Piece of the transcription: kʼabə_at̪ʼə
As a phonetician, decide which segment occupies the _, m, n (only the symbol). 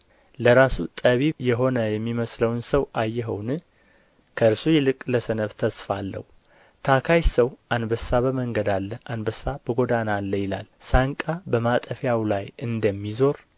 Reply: m